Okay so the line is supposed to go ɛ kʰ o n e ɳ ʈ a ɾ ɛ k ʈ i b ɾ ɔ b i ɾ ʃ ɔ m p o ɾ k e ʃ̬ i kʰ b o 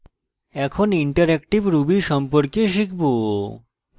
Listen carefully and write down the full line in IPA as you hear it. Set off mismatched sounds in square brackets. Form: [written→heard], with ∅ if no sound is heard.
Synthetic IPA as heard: ɛ kʰ o n [e→i] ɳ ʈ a ɾ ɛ k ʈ i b ɾ [ɔ→u] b i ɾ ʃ ɔ m p o ɾ k e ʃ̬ i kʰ b o